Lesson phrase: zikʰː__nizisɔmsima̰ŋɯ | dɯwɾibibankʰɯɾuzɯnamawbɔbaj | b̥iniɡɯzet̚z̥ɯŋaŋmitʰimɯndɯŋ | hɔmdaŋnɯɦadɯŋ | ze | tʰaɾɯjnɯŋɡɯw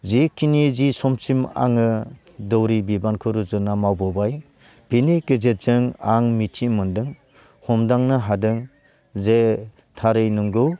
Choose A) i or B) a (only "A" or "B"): A